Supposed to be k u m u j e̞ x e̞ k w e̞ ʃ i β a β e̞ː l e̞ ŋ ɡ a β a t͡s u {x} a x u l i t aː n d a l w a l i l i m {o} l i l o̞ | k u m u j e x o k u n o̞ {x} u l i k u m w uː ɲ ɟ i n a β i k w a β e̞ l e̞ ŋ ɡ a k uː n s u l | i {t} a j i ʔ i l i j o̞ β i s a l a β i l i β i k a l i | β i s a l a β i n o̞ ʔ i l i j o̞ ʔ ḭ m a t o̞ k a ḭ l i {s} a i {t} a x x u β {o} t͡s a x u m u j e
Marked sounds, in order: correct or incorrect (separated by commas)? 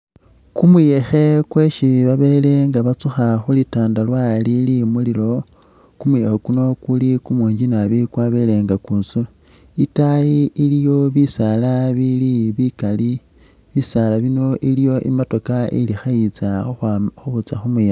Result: correct, incorrect, incorrect, correct, incorrect, incorrect, incorrect